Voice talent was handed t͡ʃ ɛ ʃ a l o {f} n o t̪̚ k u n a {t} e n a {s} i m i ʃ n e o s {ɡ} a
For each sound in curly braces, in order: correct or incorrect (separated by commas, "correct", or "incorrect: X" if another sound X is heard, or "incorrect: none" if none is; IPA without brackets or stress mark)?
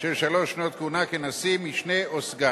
incorrect: ʃ, incorrect: k, correct, correct